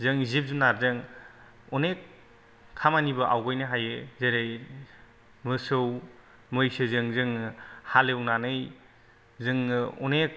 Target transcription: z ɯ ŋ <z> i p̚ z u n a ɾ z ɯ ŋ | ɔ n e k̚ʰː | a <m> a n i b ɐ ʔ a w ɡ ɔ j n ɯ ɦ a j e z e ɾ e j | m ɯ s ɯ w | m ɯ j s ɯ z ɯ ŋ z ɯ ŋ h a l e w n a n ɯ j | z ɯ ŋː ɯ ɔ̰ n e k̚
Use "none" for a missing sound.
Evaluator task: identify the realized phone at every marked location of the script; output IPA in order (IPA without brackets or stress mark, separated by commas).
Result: z, m